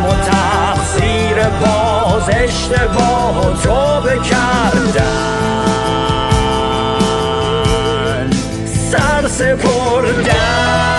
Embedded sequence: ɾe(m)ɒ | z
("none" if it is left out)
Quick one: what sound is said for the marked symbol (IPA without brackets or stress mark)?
b